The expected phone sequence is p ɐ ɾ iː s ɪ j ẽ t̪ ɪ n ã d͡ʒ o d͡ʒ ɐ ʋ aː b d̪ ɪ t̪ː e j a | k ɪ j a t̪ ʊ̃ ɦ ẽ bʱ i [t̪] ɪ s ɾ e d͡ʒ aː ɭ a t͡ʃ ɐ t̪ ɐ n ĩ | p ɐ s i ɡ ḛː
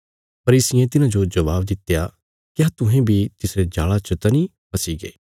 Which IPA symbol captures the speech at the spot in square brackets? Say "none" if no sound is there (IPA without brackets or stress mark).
t̪